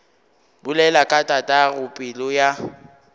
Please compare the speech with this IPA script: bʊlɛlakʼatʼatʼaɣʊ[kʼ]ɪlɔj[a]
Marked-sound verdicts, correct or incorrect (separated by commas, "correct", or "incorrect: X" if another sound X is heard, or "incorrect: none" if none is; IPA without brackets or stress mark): incorrect: pʼ, correct